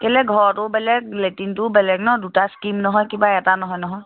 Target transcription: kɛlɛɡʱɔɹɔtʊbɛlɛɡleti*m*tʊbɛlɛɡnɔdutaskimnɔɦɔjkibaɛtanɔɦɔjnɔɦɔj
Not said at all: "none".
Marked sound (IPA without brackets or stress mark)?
n